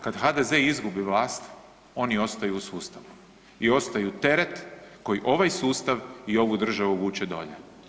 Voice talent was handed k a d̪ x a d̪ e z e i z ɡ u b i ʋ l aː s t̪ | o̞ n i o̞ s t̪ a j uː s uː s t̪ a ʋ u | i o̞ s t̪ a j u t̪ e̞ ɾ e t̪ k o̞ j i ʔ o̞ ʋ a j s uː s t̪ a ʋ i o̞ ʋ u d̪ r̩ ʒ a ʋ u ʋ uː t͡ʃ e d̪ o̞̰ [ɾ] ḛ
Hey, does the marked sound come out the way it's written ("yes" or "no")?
no